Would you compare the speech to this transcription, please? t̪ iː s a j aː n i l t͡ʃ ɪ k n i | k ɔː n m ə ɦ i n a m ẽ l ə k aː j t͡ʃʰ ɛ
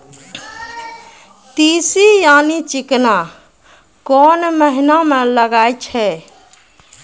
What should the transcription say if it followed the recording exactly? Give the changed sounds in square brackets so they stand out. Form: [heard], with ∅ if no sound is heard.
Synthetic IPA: t̪ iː s [i] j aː n i [∅] t͡ʃ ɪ k n [a] | k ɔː n m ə ɦ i n a m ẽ l ə [ɡ] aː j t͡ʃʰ ɛ